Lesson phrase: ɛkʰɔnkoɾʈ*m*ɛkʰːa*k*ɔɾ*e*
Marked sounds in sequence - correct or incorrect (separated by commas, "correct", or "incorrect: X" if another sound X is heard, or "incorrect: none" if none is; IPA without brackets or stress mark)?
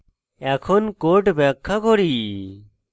incorrect: b, correct, incorrect: i